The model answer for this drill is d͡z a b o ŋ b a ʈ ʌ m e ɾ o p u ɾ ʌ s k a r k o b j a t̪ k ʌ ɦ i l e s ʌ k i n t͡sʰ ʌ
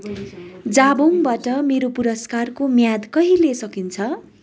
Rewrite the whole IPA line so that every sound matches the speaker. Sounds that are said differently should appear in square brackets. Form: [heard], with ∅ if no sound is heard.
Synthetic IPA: d͡z a b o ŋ b a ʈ ʌ m e ɾ o p u ɾ ʌ s k a r k o [m] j a [d̪] k ʌ ɦ i l e s ʌ k i n t͡sʰ ʌ